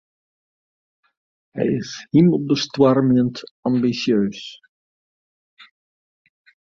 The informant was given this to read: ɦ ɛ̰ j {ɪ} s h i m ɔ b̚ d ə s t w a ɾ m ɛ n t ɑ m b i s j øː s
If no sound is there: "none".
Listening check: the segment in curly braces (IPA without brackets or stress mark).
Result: ɪ